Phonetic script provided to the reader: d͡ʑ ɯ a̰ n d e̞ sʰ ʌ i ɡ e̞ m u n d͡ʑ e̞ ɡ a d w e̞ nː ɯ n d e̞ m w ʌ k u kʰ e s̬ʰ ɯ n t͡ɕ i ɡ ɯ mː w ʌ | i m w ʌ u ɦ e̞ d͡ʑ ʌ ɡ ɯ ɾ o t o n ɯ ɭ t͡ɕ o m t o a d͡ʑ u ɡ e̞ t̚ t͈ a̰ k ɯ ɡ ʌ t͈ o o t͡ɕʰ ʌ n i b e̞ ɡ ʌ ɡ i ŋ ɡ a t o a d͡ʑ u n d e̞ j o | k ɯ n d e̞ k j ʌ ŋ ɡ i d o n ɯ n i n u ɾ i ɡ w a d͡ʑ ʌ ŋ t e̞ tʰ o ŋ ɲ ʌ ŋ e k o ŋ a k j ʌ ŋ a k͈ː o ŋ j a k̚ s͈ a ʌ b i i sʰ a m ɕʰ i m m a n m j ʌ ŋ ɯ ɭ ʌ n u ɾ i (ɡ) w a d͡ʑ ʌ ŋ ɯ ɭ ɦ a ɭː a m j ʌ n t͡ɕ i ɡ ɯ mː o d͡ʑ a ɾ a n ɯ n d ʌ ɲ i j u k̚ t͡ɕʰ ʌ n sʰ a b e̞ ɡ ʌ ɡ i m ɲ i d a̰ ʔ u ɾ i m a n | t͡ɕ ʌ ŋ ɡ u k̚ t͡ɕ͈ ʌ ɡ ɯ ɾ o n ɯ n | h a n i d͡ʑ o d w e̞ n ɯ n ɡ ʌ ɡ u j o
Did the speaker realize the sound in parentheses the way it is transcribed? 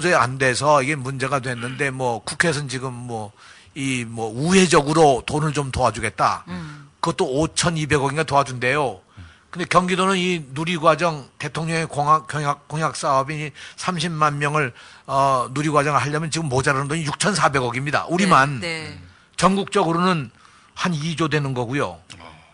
yes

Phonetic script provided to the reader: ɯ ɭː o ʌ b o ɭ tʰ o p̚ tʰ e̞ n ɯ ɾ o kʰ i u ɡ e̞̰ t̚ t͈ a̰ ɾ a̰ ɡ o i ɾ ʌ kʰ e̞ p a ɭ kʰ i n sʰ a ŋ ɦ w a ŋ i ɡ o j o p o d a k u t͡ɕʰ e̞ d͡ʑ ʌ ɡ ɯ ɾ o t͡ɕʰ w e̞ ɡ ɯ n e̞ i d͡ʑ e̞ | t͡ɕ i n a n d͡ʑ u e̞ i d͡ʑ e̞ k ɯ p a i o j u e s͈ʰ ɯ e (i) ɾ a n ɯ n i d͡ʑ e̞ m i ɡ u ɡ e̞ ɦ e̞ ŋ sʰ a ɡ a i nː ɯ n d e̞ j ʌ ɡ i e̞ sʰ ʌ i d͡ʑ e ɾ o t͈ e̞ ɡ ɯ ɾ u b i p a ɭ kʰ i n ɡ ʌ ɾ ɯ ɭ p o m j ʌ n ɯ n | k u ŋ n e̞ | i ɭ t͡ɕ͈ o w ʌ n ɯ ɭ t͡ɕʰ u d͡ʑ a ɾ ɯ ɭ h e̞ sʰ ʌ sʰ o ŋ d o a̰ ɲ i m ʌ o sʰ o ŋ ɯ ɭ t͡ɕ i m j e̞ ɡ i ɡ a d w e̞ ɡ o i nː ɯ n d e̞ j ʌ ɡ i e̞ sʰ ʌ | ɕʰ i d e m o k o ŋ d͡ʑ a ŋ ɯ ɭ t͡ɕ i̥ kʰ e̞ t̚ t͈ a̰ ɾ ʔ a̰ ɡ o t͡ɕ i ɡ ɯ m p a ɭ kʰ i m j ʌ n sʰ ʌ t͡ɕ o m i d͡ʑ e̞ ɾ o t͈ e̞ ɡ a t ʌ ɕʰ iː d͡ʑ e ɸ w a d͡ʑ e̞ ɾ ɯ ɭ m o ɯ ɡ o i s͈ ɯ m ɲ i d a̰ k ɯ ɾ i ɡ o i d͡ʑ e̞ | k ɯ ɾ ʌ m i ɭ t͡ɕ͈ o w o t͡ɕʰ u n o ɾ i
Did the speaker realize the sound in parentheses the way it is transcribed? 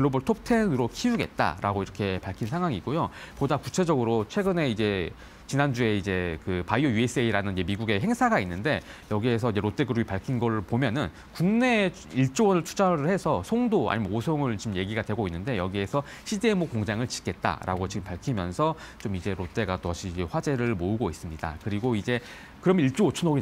yes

